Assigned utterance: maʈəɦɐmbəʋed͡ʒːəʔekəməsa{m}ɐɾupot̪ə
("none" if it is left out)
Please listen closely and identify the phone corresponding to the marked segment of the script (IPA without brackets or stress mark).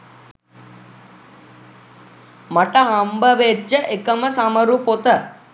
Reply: m